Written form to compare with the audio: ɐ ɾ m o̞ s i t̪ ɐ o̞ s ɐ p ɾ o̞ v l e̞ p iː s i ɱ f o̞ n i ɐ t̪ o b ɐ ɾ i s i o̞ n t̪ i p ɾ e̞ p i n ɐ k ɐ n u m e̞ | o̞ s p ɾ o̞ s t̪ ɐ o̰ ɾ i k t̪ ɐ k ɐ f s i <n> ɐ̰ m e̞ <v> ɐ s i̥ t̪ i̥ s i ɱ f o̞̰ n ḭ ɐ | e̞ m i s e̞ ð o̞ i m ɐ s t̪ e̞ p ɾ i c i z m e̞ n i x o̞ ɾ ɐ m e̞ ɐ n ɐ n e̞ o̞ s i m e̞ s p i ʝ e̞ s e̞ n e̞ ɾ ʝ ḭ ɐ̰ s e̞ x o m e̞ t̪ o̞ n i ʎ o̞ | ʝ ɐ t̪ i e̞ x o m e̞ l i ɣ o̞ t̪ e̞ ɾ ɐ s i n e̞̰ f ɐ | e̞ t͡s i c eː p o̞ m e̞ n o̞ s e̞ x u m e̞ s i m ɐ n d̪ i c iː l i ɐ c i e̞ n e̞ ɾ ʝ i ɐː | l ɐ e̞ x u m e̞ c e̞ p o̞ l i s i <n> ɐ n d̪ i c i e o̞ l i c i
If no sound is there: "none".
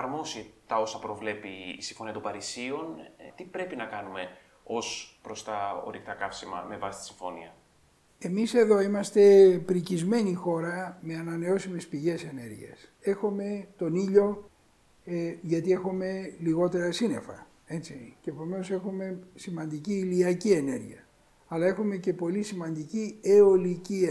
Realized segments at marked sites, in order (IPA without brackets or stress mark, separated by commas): m, v, m